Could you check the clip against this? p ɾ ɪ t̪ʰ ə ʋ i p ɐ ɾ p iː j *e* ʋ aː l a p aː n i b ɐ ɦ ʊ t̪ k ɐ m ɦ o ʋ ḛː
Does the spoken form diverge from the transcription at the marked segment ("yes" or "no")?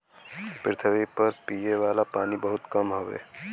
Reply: no